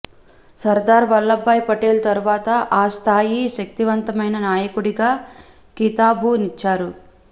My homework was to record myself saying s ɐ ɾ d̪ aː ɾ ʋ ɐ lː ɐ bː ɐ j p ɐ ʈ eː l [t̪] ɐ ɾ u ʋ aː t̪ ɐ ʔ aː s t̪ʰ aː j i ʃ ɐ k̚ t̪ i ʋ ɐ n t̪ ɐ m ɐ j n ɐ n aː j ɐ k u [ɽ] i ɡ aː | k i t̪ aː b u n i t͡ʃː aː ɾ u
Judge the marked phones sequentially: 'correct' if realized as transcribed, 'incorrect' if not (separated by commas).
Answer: correct, correct